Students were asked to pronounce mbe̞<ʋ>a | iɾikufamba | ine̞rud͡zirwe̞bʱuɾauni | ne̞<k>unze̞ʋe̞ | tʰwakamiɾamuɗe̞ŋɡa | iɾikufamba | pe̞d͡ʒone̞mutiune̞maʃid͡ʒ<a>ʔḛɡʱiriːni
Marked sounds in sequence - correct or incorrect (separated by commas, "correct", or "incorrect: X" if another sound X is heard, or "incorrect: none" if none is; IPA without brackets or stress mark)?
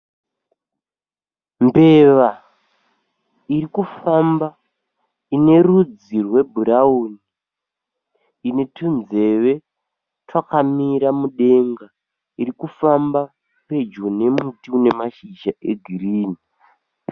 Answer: correct, incorrect: t, correct